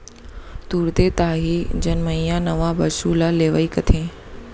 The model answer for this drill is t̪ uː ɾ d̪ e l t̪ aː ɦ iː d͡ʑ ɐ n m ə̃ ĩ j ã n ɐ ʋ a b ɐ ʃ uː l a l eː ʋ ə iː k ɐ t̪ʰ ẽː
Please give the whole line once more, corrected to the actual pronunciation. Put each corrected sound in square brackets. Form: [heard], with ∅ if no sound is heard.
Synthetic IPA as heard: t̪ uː ɾ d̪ e [∅] t̪ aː ɦ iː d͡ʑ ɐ n m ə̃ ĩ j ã n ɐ ʋ a b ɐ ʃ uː l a l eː ʋ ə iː k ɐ t̪ʰ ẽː